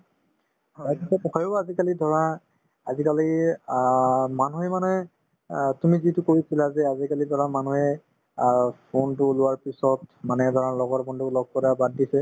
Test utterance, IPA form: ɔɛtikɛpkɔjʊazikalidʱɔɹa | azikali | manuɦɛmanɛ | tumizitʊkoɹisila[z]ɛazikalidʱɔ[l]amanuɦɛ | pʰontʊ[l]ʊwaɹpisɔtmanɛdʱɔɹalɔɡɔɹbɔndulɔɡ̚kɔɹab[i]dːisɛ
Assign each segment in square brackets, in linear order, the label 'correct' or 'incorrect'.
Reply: correct, incorrect, correct, incorrect

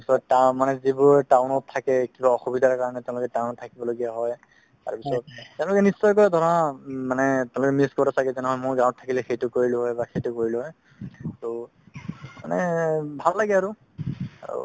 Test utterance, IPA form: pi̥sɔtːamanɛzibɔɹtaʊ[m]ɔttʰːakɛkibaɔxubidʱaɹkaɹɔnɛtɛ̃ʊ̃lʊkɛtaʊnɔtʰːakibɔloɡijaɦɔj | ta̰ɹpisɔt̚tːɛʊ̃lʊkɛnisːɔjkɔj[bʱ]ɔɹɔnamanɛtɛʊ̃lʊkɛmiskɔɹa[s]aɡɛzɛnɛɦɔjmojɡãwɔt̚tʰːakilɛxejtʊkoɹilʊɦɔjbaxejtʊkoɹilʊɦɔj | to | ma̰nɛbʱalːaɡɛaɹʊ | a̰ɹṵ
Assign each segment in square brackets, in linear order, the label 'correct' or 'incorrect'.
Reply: incorrect, incorrect, correct

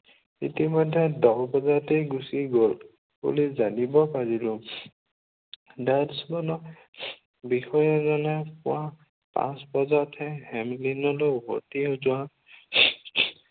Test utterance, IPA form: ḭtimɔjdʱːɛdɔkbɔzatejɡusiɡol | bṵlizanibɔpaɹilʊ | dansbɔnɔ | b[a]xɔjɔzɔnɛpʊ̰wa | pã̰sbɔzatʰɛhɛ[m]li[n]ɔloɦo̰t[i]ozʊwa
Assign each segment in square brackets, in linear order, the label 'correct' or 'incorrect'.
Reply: incorrect, correct, correct, correct

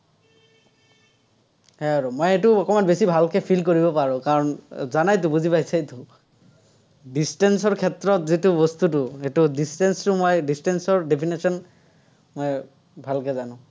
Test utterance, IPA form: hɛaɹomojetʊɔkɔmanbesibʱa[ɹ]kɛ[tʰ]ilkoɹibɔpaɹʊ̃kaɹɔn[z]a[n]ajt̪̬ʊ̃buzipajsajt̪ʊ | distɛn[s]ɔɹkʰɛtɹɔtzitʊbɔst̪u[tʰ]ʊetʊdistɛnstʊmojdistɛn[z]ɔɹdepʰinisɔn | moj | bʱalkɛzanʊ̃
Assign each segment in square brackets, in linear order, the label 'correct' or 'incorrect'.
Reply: incorrect, incorrect, correct, correct, correct, incorrect, incorrect

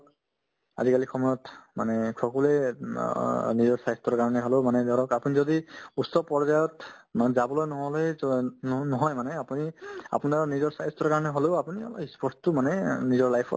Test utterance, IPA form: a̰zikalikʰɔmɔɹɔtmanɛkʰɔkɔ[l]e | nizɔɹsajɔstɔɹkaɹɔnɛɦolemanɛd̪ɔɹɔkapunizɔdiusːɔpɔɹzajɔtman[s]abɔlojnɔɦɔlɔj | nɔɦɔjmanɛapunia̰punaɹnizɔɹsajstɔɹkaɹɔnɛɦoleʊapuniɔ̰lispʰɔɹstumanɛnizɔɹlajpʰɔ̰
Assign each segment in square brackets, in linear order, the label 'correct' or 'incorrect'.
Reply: correct, incorrect

